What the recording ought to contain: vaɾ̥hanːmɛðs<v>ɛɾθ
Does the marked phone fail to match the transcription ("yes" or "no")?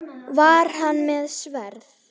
no